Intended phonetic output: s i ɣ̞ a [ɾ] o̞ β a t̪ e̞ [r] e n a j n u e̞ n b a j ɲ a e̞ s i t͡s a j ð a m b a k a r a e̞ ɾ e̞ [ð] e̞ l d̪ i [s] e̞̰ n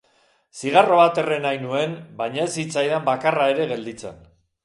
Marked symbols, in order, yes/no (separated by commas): no, yes, no, no